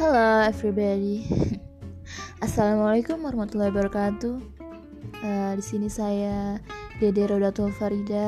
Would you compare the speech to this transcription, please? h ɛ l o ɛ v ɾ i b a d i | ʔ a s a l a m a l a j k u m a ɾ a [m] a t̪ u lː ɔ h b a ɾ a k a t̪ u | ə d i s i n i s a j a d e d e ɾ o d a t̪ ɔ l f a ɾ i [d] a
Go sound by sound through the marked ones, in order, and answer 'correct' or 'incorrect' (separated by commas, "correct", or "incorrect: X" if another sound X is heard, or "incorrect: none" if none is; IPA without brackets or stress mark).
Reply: correct, correct